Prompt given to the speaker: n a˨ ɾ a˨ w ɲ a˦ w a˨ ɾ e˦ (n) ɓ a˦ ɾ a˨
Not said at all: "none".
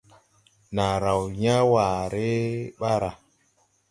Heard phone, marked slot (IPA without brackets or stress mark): none